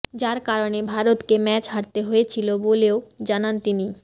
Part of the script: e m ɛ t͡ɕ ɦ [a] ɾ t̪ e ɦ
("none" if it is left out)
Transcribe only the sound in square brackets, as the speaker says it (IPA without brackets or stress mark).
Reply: a